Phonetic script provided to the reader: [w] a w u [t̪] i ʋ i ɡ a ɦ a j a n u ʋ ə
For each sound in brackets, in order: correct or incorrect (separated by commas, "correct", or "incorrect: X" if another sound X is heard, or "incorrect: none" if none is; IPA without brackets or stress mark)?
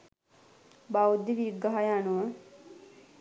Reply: incorrect: b, incorrect: d̪